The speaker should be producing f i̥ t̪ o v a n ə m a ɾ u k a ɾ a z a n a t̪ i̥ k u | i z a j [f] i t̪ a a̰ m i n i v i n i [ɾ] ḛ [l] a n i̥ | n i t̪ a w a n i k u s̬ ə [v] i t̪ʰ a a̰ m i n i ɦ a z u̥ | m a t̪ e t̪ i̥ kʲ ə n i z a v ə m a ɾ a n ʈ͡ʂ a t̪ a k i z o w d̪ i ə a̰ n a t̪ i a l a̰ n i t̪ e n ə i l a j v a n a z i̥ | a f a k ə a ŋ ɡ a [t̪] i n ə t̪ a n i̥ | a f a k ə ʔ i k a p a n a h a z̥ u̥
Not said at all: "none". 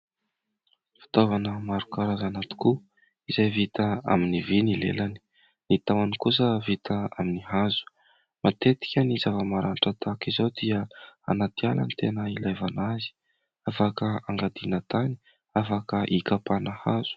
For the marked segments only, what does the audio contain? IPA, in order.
v, l, l, v, d̪

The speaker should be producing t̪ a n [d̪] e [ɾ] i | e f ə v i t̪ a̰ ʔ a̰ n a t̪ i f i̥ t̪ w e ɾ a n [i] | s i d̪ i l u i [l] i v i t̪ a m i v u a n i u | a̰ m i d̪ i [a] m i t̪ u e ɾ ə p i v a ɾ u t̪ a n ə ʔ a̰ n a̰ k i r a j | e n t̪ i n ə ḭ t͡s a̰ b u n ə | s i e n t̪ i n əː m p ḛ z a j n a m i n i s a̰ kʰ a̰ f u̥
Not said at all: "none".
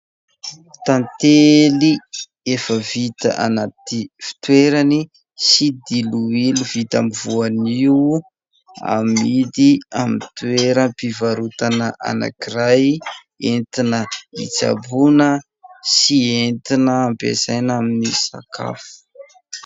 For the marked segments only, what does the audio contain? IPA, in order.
t̪, l, i, l, a

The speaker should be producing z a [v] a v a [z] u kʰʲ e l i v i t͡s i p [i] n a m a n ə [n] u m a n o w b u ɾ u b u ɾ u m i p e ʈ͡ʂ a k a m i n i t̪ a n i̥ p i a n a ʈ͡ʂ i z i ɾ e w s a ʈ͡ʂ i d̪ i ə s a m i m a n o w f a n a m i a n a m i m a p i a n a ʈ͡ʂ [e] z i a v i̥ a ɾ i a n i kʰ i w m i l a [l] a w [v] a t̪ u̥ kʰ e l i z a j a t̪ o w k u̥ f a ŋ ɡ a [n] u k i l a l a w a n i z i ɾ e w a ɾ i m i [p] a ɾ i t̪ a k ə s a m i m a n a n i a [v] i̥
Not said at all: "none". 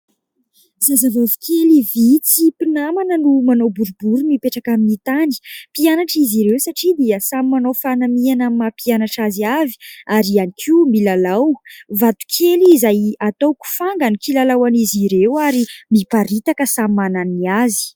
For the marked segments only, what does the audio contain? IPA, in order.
z, v, i, n, a, l, v, n, p, z

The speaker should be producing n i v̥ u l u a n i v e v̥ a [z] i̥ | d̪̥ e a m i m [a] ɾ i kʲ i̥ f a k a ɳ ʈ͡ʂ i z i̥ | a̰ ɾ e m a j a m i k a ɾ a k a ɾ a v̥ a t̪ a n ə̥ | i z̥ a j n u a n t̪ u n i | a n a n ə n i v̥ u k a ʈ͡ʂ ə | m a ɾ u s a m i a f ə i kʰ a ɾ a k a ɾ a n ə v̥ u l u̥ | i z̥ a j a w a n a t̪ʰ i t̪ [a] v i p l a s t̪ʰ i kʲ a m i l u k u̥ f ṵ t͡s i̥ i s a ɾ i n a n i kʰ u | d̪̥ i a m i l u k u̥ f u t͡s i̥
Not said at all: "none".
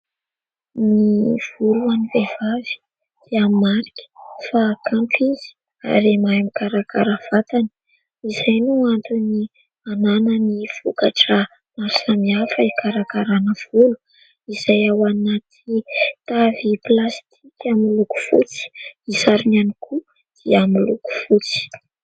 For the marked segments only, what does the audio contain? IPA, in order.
v, a, a

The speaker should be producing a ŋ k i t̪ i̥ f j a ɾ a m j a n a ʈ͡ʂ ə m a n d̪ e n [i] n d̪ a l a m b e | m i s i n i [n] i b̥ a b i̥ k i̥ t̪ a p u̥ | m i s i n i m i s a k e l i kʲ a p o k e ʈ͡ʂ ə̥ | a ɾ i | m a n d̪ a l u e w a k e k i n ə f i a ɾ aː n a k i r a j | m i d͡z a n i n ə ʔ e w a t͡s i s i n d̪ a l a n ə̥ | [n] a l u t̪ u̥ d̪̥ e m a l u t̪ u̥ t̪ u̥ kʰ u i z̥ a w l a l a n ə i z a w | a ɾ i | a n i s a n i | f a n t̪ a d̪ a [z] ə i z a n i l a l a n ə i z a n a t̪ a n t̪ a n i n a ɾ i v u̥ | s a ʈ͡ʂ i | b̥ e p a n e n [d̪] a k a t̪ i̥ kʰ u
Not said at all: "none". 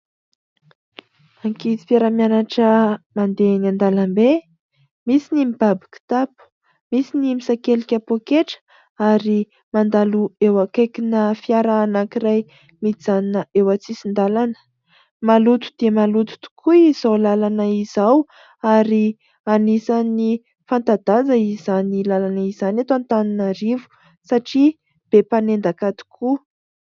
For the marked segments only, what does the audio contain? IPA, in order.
a, m, m, z, d̪

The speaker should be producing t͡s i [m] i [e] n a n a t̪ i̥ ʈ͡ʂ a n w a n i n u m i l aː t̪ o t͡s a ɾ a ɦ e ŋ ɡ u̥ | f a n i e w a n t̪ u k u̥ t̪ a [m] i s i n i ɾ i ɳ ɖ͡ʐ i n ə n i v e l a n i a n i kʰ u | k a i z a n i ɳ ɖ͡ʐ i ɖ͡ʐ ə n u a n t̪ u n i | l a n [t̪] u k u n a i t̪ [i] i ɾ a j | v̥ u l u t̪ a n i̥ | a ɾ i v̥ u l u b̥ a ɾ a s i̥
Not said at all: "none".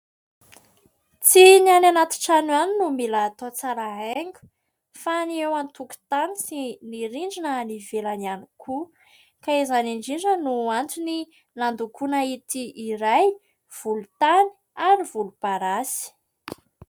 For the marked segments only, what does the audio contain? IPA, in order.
n, a, n, d̪, i

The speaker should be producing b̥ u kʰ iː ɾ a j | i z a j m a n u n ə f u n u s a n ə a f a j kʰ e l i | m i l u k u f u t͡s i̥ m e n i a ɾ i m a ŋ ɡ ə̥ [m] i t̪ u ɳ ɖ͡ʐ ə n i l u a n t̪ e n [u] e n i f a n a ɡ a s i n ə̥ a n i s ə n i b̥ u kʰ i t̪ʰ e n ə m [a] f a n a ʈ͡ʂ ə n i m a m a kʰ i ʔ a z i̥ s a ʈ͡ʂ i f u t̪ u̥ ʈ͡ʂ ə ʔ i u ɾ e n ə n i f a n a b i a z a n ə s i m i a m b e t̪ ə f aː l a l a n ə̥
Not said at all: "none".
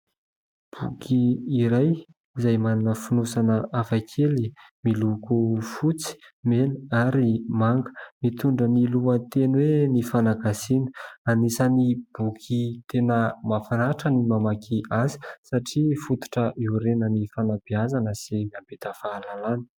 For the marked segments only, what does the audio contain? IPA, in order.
m, w, a

